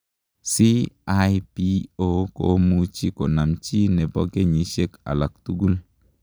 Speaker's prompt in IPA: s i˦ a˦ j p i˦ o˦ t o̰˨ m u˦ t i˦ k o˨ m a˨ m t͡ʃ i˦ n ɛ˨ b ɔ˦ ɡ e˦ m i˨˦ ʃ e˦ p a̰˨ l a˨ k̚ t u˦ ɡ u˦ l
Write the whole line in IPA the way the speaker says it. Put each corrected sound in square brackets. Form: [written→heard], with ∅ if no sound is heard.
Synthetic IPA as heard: s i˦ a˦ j p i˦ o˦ [t→k] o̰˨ m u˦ [t→t͡ʃ] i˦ k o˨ [m→n] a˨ m t͡ʃ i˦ n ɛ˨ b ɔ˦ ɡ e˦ [m→ɲ] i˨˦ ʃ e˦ [p→k] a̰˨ l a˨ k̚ t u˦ ɡ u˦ l